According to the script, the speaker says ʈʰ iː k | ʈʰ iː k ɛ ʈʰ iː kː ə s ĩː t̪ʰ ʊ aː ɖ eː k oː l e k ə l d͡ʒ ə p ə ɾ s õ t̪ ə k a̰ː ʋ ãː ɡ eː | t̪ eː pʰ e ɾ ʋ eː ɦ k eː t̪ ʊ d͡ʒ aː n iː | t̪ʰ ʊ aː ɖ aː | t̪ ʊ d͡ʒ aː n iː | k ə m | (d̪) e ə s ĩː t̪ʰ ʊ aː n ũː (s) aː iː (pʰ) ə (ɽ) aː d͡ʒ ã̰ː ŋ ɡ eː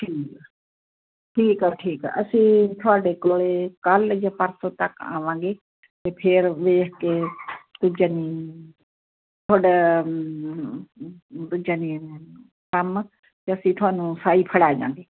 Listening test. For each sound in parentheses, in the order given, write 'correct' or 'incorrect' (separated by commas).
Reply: incorrect, correct, correct, correct